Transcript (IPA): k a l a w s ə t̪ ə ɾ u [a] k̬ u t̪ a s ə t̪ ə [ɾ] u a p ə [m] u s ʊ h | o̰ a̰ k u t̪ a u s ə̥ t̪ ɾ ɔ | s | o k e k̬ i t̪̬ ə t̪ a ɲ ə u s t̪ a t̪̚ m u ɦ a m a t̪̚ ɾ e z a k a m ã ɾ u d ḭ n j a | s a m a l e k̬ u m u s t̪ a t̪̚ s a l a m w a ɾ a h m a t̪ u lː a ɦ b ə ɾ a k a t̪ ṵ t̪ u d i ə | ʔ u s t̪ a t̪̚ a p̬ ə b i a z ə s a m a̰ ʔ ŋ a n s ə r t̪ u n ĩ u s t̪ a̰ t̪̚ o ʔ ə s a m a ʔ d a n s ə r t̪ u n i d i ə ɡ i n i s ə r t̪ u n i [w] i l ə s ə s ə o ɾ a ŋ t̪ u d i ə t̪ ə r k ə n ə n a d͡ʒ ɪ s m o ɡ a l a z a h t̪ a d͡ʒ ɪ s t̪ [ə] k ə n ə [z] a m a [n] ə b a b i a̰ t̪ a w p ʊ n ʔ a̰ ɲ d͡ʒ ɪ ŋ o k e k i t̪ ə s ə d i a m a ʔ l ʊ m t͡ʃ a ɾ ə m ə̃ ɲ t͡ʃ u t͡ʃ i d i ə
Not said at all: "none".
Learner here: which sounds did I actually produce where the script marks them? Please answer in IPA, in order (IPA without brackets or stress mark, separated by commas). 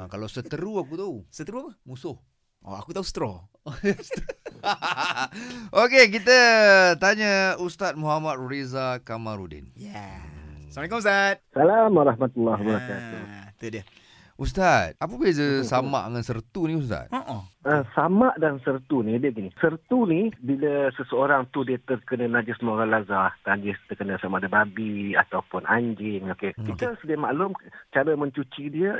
a, ɾ, m, b, ə, s, d